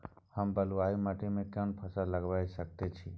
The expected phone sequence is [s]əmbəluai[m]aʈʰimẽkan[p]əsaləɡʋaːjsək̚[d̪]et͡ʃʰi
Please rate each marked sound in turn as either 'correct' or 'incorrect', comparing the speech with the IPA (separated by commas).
incorrect, correct, incorrect, incorrect